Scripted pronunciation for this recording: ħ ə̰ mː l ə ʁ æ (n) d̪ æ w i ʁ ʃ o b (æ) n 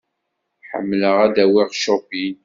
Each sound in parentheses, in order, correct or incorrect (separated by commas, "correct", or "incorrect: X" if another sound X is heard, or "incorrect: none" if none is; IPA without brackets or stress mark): incorrect: none, incorrect: i